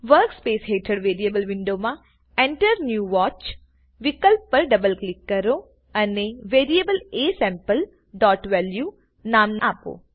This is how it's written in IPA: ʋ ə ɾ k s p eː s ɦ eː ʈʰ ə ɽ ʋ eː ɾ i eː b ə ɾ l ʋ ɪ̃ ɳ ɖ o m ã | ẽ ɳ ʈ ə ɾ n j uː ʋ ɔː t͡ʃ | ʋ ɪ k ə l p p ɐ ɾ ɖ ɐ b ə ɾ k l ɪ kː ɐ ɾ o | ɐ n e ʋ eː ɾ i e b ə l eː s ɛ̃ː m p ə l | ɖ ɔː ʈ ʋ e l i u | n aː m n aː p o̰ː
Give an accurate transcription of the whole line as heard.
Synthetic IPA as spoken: ʋ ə ɾ k s p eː s ɦ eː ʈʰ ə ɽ ʋ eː ɾ i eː b ə l ʋ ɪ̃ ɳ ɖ o m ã | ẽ ɳ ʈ ə ɾ n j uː ʋ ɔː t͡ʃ | ʋ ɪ k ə l p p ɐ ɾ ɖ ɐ b ə l k l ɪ kː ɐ ɾ o | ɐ n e ʋ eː ɾ i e b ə l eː s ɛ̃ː m p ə l | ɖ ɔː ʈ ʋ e l j u | n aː m n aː p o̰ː

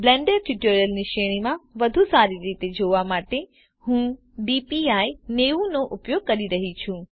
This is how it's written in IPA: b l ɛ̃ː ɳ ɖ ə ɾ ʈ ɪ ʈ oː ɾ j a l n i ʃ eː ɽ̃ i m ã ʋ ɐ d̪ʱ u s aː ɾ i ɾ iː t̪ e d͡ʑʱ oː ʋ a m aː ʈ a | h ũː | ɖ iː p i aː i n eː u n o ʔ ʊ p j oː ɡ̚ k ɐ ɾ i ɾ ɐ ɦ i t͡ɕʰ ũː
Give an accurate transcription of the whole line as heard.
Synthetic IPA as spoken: b l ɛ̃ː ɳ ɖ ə ɾ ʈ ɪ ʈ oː ɾ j ə l n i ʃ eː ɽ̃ i m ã ʋ ɐ d̪ʱ u s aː ɾ i ɾ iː t̪ e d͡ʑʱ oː ʋ a m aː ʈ e | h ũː | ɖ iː p i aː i n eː u n o ʔ ʊ p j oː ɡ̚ k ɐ ɾ i ɾ ɐ ɦ i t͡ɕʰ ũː

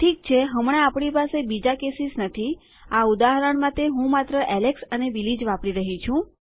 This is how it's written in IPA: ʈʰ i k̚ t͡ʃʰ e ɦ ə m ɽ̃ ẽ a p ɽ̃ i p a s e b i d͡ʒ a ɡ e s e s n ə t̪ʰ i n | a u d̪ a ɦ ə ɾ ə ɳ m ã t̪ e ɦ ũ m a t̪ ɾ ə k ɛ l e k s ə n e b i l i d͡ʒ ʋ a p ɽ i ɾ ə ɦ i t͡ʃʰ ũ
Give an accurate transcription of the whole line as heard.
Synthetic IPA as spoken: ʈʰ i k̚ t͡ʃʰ e ɦ ə m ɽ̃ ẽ a p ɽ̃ i p a s e b i d͡ʒ a k e s i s n ə t̪ʰ i | a u d̪ a ɦ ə ɾ ə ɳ m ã t̪ e ɦ ũ m a t̪ ɾ ə ʔ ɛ l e k s ə n e b i l i d͡ʒ ʋ a p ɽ i ɾ ə ɦ i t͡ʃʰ ũ

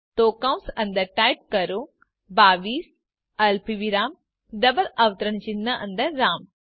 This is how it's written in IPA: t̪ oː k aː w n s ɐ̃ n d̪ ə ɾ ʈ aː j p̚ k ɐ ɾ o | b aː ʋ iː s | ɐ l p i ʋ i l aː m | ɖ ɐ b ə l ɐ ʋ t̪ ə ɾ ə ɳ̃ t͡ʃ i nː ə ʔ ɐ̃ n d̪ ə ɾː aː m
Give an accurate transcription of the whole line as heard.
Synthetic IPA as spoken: t̪ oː k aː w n s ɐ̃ n d̪ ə ɾ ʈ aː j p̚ k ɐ ɾ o | b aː ʋ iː s | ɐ l p i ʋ i ɾ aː m | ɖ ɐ b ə l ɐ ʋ t̪ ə ɾ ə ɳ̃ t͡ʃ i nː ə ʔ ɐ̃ n d̪ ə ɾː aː m

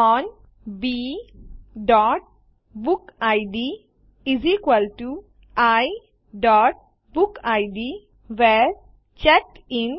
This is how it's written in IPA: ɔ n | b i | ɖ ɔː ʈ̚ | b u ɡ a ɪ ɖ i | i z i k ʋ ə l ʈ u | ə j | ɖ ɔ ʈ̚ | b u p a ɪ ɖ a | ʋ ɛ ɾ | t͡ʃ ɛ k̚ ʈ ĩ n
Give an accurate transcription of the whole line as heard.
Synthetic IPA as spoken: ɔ n | b i | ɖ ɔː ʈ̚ | b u k a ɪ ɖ i | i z i k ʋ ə l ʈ u | a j | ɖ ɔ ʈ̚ | b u k a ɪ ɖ i | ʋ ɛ ɾ | t͡ʃ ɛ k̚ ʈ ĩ n

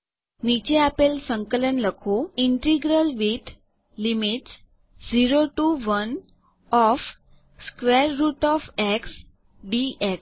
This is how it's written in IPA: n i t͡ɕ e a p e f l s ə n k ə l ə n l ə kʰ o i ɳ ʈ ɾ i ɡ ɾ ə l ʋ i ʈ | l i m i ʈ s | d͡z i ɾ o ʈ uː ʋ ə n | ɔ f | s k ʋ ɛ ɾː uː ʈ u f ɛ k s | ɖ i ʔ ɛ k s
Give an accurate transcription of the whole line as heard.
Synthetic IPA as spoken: n i t͡ɕ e a p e l s ə ŋ k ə l ə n l ə kʰ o i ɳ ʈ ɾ i ɡ ɾ ə l ʋ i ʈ | l i m i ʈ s | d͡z i ɾ o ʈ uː ʋ ə n | ɔ f | s k ʋ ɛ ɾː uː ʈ ɔ f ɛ k s | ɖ i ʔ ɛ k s

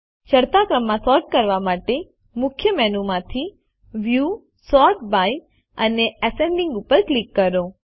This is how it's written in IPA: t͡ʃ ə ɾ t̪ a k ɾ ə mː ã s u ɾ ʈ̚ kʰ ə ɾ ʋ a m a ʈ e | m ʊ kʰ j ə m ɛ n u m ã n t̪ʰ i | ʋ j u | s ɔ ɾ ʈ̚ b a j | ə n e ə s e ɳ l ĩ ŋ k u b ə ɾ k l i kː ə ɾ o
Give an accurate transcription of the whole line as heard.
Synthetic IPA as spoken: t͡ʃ ə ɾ t̪ a k ɾ ə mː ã s ɔ ɾ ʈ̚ k ə ɾ ʋ a m a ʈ e | m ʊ kʰ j ə m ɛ n u m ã t̪ʰ i | ʋ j u | s ɔ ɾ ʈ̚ b a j | ə n e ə s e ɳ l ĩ ŋ ɡ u p ə ɾ k l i kː ə ɾ o

